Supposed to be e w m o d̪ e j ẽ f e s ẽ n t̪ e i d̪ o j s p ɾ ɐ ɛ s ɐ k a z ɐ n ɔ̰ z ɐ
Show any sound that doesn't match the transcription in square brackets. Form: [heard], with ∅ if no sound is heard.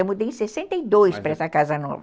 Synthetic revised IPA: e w m [u] d̪ e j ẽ [s] e s ẽ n t̪ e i d̪ o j s p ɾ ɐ ɛ s ɐ k a z ɐ n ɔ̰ [v] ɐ